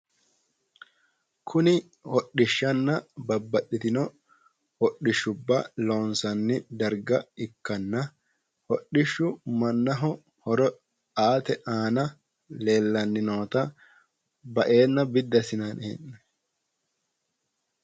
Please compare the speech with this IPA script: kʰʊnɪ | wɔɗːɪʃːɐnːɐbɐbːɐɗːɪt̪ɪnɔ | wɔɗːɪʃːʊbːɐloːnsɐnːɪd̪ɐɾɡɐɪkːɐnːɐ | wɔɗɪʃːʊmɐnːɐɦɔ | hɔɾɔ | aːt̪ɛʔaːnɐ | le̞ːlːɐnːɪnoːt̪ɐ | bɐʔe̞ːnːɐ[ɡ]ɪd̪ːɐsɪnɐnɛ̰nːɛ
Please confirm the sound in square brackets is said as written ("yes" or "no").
no